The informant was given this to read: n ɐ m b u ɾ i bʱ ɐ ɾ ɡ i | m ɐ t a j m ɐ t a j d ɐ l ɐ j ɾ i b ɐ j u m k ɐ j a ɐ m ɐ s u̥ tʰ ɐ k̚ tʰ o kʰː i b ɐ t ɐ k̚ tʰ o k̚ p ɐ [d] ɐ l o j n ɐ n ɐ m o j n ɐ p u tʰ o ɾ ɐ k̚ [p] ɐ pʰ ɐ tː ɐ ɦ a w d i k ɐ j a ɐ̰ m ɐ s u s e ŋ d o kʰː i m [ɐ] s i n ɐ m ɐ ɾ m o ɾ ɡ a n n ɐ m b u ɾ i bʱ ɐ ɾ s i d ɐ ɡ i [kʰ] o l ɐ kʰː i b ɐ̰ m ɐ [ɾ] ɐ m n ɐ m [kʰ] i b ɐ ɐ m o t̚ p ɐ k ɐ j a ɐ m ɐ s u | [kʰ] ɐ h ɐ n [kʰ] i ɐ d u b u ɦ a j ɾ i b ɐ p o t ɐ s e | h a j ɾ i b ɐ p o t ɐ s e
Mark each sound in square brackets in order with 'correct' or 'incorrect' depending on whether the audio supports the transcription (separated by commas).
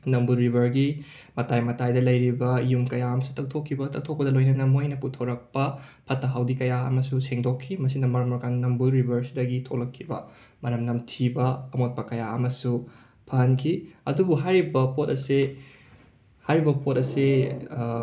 correct, correct, correct, incorrect, correct, incorrect, incorrect, correct